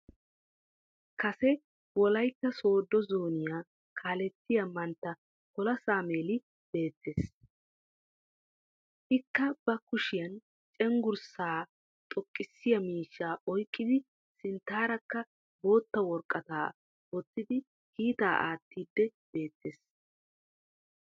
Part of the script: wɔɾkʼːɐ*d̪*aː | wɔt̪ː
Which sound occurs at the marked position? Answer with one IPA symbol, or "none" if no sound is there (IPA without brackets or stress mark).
t̪